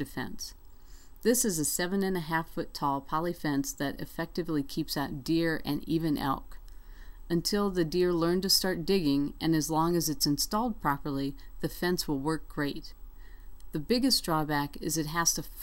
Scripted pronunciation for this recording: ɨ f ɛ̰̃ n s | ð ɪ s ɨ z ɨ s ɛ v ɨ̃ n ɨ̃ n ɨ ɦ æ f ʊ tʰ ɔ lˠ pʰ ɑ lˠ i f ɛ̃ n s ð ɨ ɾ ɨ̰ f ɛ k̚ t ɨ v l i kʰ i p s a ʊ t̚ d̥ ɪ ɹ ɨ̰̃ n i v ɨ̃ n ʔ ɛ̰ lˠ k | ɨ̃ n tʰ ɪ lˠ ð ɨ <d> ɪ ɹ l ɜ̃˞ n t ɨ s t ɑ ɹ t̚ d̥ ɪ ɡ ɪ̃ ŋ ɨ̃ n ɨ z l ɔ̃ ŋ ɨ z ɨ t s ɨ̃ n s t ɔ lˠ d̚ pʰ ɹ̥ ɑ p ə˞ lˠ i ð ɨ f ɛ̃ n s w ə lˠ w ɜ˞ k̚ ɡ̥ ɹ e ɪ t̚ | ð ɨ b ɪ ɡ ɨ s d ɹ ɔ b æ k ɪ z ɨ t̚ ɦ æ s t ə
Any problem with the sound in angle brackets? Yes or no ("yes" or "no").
no